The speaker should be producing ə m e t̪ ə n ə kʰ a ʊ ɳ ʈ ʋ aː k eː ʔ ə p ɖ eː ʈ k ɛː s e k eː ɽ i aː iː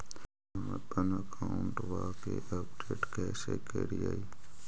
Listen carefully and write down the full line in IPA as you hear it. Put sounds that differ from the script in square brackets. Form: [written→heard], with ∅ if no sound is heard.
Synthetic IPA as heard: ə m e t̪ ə n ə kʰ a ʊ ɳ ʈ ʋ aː k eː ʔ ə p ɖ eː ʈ k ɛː s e k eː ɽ i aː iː